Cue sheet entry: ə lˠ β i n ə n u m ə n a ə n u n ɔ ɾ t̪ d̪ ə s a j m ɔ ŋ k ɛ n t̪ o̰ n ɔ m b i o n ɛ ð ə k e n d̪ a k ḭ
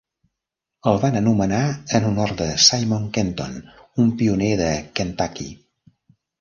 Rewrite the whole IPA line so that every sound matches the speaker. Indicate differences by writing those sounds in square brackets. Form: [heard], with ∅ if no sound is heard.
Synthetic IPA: ə lˠ β [a] n ə n u m ə n a ə n u n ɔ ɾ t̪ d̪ ə s a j m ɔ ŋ k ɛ n t̪ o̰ n [u] m [p] i [u] n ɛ ð ə k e n [t̪] a k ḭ